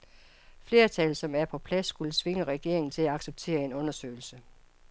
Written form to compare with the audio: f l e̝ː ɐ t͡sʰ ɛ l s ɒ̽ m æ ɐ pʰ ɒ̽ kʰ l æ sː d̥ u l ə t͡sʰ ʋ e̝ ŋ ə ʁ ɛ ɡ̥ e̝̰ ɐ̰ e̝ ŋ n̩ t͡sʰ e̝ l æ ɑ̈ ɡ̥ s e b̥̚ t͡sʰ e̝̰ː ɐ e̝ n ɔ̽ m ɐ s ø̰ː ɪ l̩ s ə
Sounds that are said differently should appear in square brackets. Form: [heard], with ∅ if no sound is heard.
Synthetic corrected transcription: f l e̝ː ɐ t͡sʰ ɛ l s ɒ̽ m æ ɐ pʰ ɒ̽ [pʰ] l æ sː [ɡ̥] u l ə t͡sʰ ʋ e̝ ŋ ə ʁ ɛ ɡ̥ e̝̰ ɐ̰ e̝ ŋ n̩ t͡sʰ e̝ l æ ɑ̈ ɡ̥ s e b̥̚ t͡sʰ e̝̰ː ɐ e̝ n ɔ̽ [n] ɐ s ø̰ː ɪ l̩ s ə